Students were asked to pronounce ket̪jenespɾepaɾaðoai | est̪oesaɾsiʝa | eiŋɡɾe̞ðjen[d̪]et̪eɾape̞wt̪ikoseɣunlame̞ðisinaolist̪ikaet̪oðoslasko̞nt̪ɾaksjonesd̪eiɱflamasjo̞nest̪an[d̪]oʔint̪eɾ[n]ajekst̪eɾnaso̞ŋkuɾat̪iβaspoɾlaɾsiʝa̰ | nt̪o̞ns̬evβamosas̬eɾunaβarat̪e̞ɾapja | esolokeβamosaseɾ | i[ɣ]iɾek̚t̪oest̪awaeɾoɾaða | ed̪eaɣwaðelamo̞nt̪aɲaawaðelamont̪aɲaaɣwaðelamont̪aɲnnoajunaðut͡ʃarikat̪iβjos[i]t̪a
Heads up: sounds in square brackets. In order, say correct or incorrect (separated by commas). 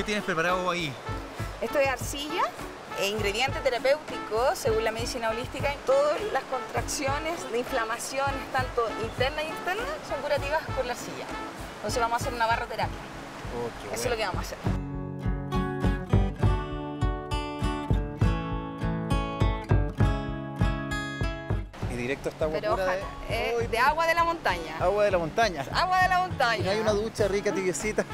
incorrect, incorrect, correct, incorrect, correct